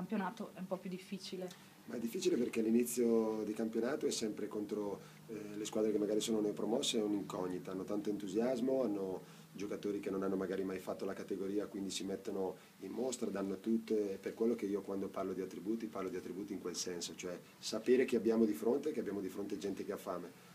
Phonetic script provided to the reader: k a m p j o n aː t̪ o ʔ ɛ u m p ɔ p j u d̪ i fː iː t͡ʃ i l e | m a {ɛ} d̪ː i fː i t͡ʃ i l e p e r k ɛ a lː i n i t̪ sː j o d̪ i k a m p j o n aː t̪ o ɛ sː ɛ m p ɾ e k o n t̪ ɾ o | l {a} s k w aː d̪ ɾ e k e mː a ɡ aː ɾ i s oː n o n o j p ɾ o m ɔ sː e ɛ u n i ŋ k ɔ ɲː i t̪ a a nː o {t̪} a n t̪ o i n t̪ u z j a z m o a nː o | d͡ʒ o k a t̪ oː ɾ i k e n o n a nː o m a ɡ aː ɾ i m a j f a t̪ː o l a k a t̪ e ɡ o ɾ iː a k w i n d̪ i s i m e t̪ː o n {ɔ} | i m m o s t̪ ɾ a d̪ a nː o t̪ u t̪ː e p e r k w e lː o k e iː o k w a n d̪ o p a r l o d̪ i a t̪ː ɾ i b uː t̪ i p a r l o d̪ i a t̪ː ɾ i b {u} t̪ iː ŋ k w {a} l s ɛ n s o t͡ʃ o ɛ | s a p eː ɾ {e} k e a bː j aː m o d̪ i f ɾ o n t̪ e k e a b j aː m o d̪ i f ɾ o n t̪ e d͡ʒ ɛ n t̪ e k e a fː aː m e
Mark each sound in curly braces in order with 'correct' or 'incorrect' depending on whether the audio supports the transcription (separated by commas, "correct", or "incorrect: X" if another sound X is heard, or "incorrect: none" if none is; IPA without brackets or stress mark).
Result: correct, incorrect: e, correct, incorrect: o, incorrect: uː, incorrect: e, correct